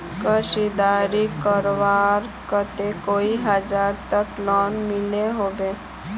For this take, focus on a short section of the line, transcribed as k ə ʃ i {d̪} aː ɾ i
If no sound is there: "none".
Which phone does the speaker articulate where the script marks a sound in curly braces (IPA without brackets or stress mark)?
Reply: d̪